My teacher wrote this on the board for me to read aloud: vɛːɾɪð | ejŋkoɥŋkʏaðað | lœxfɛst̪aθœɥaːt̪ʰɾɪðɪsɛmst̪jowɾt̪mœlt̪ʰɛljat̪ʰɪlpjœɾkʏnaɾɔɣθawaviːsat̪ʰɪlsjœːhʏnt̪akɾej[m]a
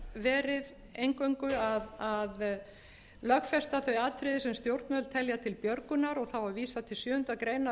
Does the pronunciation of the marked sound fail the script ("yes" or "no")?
yes